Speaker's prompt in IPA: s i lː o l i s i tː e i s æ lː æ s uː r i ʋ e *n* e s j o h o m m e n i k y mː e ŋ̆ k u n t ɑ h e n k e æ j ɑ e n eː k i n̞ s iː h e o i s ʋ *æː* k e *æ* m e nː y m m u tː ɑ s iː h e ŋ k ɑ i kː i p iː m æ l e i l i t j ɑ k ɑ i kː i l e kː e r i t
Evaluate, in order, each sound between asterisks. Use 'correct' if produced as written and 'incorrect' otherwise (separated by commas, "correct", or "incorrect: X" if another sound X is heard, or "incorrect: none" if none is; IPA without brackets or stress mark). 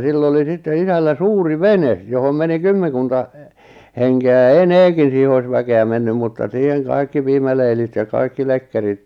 correct, incorrect: æ, correct